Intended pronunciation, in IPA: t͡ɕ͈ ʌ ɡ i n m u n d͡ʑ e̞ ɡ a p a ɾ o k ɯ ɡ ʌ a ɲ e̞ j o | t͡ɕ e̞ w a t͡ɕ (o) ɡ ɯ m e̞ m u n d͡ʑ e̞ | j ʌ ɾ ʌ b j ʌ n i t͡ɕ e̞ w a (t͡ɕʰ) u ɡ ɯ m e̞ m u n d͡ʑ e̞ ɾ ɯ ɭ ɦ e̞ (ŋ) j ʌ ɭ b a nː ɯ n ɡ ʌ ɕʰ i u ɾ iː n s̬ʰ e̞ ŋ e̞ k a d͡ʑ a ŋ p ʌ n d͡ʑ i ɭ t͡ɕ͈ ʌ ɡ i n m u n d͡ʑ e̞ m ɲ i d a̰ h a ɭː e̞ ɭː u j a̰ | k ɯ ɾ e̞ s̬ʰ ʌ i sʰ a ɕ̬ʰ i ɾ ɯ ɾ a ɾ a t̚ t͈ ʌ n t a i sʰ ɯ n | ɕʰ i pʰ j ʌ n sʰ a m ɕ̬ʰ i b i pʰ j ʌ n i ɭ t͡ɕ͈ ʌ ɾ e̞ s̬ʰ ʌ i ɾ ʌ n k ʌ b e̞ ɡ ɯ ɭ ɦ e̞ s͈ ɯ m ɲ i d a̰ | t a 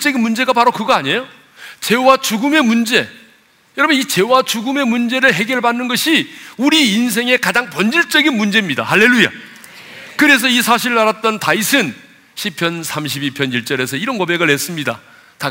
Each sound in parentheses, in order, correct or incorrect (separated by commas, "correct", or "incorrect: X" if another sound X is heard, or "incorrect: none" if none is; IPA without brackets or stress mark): incorrect: u, incorrect: t͡ɕ, incorrect: ɡ